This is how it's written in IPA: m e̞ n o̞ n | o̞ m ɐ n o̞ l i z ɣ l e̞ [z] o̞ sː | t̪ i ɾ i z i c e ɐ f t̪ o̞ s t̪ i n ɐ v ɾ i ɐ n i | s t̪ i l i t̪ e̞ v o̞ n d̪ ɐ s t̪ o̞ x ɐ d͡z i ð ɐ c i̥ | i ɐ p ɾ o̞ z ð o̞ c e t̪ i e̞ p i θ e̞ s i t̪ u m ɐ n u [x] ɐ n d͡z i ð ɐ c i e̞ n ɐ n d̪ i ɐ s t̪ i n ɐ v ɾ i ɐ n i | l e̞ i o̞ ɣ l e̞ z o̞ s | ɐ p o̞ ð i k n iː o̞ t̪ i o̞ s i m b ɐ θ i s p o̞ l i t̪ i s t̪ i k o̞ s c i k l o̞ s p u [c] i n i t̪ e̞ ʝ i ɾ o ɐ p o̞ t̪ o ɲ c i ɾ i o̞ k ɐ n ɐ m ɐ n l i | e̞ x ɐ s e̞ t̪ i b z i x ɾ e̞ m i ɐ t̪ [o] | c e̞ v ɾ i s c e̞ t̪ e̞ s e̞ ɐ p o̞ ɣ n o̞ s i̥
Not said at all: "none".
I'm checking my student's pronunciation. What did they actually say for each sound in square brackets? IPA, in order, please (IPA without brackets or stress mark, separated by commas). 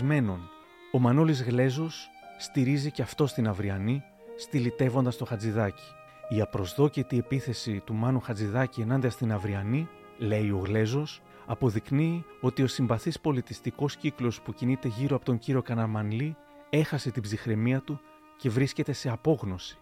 z, x, c, u